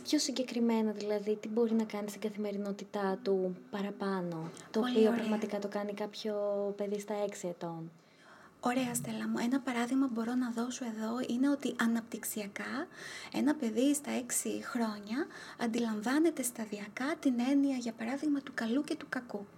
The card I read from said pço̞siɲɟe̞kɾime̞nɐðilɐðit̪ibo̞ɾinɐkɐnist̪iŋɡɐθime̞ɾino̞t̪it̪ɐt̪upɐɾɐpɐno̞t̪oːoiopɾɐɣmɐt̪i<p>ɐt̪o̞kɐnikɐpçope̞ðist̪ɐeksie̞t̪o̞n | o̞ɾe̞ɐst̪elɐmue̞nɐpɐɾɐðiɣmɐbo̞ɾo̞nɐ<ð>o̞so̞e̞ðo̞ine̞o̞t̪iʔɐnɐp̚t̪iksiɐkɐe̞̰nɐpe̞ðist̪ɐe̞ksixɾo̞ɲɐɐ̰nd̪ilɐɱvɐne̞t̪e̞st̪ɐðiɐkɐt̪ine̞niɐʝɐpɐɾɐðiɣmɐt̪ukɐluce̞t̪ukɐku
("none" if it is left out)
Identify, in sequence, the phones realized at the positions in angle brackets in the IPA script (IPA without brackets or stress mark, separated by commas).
k, ð